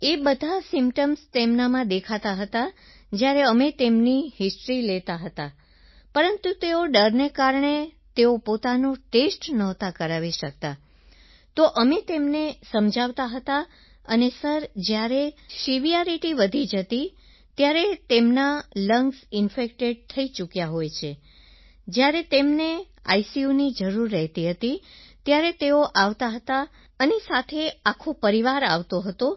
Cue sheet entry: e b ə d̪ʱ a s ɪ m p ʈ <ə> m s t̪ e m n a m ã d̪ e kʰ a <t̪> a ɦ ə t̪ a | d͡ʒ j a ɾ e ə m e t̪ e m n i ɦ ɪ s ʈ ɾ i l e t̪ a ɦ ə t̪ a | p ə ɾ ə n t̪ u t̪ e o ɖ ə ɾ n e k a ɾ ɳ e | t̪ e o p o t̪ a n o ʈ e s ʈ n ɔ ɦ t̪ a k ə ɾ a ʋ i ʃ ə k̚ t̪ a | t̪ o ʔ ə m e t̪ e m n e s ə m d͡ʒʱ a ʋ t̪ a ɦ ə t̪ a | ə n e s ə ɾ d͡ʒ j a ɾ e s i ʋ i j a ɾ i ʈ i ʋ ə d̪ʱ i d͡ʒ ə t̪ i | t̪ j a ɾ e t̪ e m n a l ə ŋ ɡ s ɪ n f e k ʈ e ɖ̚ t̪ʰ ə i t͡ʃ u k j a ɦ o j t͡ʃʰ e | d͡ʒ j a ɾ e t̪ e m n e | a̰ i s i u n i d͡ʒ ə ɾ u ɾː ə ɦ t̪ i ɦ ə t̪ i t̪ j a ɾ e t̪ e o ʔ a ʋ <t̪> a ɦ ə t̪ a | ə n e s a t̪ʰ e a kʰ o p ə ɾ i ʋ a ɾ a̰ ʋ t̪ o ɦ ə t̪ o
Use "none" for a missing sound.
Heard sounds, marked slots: ə, t̪, t̪

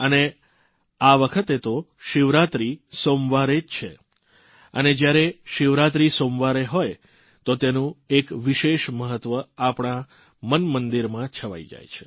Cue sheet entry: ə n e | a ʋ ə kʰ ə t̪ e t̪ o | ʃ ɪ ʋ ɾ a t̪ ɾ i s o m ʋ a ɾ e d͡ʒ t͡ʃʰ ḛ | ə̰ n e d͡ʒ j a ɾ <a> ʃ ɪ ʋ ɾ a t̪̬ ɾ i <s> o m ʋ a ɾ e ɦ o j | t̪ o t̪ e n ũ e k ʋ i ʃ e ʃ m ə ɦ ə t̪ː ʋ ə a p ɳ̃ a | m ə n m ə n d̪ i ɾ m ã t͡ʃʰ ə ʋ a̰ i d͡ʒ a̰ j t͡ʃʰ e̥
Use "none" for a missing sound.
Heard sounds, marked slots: e, s

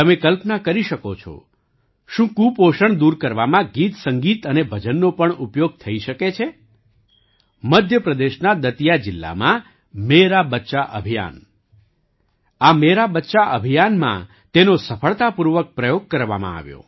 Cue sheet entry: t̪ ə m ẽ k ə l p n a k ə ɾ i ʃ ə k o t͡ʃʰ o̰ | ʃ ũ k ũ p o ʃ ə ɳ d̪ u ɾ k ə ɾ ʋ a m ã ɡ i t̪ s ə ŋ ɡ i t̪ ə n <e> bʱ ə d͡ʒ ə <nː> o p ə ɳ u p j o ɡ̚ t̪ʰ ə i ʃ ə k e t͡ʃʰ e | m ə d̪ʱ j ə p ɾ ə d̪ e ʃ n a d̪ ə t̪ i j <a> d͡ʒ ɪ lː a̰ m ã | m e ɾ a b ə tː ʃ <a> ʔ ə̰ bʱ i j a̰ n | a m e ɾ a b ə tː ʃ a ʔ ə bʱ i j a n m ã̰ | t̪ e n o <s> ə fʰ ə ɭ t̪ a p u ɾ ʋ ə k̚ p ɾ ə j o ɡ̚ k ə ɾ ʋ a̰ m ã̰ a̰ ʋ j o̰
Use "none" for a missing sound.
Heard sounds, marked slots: e, nː, a, a, s

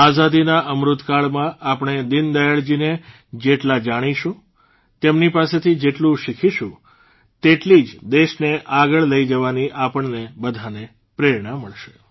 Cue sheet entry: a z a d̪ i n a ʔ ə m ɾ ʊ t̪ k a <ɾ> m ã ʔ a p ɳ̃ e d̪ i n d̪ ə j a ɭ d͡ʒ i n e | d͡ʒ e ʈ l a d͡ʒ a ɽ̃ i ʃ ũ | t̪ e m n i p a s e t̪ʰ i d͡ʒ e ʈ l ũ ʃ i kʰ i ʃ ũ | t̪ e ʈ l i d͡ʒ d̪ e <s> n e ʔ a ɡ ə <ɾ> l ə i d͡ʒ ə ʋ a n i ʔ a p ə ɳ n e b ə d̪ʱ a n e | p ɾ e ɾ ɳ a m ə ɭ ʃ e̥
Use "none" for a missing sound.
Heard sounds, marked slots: ɭ, ʃ, ɭ

